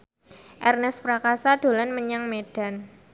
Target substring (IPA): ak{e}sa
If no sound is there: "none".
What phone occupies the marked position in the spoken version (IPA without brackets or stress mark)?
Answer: a